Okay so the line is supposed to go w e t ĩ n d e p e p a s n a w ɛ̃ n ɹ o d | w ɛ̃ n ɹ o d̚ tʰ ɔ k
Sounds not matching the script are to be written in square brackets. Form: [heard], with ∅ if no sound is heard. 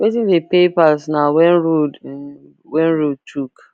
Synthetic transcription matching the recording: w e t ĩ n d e p e p a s n a w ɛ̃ n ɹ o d | w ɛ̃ n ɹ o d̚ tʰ [u] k